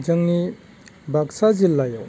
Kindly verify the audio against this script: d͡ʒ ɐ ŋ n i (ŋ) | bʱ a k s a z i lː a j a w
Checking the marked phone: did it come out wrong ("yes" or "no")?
yes